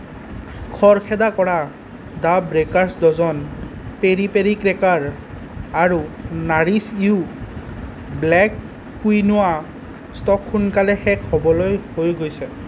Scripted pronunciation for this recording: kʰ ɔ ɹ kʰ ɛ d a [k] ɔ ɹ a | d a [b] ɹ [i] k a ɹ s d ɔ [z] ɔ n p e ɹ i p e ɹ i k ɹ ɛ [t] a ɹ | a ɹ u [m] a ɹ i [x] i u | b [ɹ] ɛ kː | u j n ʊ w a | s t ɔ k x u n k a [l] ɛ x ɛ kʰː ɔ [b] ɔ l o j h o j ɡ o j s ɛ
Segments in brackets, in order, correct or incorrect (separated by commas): correct, correct, incorrect, correct, incorrect, incorrect, incorrect, incorrect, correct, correct